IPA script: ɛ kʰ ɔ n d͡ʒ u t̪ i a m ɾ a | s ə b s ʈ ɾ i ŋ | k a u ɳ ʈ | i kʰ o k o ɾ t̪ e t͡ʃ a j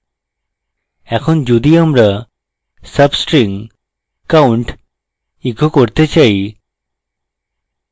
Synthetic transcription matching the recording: ɛ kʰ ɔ n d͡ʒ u d̪ i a m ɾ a | s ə b s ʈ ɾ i ŋ | k a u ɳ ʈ | i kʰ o k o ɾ t̪ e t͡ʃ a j